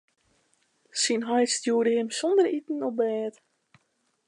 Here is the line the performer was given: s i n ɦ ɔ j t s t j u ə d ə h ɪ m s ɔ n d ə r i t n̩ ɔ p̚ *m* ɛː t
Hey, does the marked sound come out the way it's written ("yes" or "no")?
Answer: no